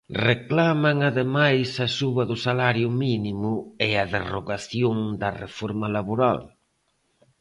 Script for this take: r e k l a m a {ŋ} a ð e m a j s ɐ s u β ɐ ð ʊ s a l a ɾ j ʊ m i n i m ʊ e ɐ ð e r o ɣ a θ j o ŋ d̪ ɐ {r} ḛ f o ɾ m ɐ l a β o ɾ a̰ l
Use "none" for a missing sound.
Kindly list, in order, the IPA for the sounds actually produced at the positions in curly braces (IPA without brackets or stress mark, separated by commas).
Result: ŋ, r